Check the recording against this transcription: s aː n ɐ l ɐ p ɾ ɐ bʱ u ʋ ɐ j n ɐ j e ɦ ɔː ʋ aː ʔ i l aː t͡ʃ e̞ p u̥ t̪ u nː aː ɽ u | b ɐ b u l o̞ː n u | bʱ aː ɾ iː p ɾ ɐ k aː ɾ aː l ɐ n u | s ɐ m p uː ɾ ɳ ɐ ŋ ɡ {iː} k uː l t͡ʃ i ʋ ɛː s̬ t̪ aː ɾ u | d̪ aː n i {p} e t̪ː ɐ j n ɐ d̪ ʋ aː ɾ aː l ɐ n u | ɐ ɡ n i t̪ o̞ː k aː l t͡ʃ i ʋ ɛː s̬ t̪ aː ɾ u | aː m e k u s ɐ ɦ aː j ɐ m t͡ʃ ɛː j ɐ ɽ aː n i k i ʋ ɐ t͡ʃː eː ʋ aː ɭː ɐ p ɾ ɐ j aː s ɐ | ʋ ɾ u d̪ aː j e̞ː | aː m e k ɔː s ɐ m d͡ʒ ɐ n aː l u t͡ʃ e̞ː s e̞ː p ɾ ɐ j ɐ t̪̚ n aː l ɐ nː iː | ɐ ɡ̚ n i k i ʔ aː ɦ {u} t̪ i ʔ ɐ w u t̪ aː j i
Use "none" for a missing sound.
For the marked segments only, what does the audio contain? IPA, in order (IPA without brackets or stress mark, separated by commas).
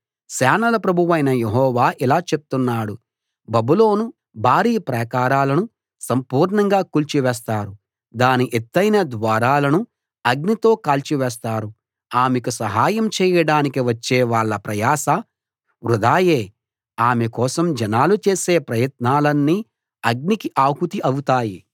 aː, ʔ, u